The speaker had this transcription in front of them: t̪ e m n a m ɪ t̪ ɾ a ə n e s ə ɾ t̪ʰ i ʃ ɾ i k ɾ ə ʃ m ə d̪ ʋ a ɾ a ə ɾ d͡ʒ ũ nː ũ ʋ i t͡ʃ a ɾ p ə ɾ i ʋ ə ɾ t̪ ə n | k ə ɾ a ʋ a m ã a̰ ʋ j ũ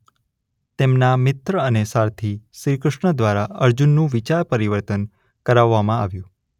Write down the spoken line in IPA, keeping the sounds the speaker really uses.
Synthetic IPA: t̪ e m n a m ɪ t̪ ɾ ə ə n e s a ɾ t̪ʰ i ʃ ɾ i k ɾ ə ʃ ɳ ə d̪ ʋ a ɾ a ə ɾ d͡ʒ u nː ũ ʋ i t͡ʃ a ɾ p ə ɾ i ʋ ə ɾ t̪ ə n | k ə ɾ a ʋː a m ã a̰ ʋ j ũ